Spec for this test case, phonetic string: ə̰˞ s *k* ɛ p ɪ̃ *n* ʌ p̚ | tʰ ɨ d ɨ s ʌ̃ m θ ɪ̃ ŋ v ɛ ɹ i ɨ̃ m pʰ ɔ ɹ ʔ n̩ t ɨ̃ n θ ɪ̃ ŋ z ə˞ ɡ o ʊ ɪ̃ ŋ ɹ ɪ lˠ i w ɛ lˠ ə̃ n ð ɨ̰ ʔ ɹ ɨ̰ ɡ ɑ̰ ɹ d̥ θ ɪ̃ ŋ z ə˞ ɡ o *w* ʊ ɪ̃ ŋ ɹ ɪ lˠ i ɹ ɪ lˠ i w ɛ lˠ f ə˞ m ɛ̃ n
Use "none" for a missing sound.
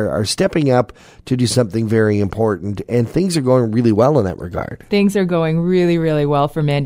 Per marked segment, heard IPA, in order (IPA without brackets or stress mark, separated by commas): t, ŋ, none